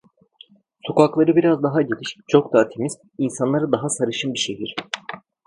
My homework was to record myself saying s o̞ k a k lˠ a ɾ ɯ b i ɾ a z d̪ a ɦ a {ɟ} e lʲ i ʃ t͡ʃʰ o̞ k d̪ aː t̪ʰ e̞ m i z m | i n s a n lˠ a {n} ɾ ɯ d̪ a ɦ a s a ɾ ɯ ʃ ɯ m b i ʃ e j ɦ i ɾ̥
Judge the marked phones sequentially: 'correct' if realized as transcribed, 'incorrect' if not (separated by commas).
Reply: correct, incorrect